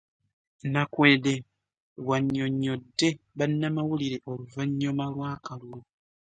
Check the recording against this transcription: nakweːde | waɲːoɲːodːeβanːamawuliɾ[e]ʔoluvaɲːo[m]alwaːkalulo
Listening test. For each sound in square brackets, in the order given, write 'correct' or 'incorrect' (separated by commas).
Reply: correct, correct